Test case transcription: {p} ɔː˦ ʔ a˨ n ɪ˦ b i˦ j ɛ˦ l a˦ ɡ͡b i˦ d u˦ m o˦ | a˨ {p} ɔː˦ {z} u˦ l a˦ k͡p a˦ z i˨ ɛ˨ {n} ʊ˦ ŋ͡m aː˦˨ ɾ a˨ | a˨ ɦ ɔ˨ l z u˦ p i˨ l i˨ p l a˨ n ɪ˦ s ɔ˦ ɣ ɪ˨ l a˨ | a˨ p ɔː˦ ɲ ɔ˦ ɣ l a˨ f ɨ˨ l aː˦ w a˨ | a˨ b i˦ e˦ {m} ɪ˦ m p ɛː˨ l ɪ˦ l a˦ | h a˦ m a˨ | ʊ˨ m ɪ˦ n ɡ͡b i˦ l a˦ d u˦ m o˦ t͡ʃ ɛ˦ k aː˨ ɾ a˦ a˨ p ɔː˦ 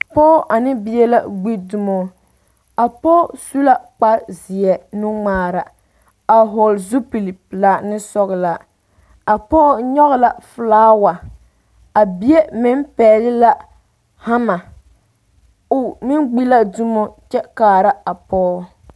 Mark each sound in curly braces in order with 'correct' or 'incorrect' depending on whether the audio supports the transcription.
correct, correct, incorrect, correct, correct

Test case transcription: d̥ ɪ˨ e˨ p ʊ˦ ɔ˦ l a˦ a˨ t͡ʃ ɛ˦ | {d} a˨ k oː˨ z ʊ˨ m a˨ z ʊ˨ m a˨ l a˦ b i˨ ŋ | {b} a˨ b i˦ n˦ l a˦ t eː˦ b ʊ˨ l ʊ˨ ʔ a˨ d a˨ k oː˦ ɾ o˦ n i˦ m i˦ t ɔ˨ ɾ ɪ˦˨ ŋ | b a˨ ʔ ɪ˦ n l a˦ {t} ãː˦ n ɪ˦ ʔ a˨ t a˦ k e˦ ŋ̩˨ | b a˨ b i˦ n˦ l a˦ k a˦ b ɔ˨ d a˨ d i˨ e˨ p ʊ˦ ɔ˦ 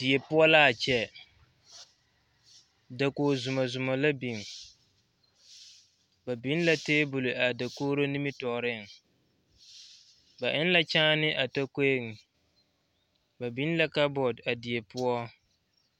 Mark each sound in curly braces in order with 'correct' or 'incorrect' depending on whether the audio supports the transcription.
correct, correct, incorrect

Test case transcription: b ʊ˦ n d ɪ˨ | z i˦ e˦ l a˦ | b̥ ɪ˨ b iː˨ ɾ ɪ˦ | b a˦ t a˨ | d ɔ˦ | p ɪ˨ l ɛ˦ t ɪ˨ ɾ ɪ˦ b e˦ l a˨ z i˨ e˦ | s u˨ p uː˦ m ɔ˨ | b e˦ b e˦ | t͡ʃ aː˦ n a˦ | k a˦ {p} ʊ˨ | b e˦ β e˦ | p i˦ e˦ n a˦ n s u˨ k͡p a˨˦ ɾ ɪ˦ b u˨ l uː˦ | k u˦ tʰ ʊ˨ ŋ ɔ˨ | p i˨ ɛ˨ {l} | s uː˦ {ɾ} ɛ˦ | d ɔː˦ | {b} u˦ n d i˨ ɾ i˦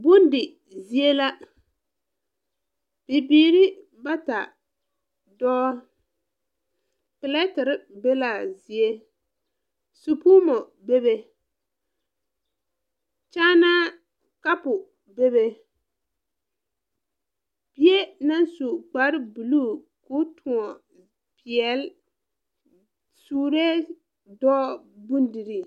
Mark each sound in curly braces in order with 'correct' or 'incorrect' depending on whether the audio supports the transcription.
correct, correct, correct, correct

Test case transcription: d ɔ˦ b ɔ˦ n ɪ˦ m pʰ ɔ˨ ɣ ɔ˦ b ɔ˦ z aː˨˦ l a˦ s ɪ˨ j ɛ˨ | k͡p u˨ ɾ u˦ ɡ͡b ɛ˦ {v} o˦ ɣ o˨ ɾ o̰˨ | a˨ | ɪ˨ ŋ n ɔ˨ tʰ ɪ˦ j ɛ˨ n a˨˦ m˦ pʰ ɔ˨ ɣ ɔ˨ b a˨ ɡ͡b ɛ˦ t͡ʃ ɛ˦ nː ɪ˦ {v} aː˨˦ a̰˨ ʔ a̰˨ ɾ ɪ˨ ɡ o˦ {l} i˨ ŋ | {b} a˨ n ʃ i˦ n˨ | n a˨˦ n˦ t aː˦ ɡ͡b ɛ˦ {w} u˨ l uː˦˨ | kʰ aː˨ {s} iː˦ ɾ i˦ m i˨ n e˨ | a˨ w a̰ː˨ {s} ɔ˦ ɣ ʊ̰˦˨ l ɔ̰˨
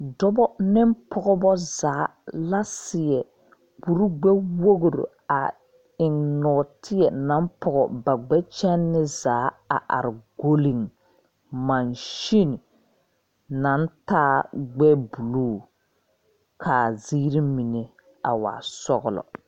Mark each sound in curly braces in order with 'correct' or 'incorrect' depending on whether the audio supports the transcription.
incorrect, incorrect, correct, incorrect, incorrect, incorrect, correct

